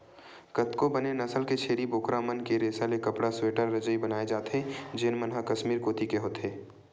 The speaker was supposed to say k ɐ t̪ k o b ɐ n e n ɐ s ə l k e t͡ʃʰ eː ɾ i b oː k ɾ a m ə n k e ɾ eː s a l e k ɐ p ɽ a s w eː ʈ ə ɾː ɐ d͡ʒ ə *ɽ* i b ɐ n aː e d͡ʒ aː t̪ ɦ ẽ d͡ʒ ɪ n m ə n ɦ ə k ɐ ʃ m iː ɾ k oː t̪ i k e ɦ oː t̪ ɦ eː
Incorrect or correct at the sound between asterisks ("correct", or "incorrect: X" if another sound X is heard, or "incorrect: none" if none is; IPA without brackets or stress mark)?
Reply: incorrect: none